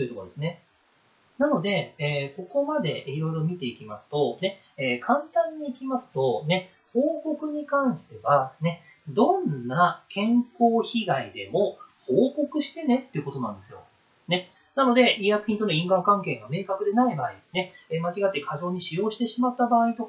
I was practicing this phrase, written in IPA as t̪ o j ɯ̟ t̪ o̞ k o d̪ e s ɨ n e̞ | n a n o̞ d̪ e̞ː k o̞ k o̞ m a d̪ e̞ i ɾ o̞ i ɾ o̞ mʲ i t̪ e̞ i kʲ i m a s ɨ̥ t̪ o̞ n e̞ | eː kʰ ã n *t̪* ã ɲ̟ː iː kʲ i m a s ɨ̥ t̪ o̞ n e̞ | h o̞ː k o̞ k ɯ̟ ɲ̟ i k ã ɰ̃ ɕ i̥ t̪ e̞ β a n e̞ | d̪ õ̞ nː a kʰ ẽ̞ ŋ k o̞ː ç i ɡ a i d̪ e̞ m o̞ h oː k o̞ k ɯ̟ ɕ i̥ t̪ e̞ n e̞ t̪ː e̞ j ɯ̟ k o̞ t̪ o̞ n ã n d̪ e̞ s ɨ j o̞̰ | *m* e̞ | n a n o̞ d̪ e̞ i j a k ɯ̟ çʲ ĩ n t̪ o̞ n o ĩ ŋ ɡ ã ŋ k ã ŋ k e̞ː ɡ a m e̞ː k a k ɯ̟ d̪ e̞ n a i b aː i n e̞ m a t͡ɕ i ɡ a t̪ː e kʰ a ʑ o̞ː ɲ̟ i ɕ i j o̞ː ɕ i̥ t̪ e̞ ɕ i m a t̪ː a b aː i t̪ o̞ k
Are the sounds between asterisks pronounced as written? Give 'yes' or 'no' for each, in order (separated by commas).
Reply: yes, no